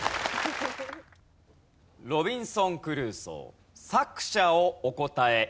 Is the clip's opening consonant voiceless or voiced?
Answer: voiced